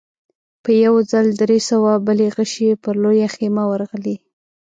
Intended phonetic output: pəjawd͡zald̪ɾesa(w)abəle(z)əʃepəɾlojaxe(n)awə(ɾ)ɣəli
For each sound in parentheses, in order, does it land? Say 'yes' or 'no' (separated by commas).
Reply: yes, no, no, yes